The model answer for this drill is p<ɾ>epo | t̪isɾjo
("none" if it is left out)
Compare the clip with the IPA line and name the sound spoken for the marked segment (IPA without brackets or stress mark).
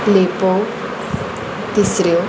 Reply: l